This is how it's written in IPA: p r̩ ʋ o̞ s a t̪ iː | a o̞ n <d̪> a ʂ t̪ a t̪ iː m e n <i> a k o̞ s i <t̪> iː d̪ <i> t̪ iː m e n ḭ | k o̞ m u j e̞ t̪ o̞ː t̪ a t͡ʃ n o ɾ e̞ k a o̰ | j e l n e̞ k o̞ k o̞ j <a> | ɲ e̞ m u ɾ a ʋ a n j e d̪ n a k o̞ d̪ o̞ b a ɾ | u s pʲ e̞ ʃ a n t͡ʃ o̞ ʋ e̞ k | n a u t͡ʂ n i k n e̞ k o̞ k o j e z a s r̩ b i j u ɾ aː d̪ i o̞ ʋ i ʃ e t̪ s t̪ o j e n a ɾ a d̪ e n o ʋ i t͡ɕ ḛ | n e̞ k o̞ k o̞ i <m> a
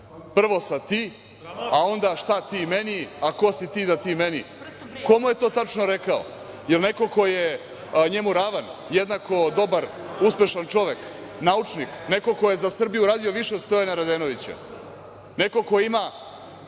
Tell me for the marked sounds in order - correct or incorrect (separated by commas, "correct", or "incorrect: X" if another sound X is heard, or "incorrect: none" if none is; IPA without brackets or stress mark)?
correct, correct, correct, incorrect: a, incorrect: e, correct